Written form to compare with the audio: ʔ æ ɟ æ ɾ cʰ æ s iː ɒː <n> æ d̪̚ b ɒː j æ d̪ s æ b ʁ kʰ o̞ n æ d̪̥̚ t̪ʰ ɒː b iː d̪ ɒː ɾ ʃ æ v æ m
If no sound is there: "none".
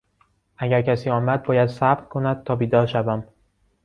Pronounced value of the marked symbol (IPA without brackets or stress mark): m